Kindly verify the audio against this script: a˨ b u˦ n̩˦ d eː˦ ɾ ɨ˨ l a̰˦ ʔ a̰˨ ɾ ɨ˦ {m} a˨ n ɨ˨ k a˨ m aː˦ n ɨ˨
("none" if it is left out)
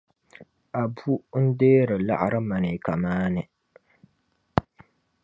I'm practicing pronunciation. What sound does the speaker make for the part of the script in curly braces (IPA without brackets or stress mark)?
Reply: m